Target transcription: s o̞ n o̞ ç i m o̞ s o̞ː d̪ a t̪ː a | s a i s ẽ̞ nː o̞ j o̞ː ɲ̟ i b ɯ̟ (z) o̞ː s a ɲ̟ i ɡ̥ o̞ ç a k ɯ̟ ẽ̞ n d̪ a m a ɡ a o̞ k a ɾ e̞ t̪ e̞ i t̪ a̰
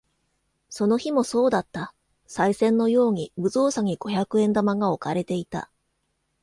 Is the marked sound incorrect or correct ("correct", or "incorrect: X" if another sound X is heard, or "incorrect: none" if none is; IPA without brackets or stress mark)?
correct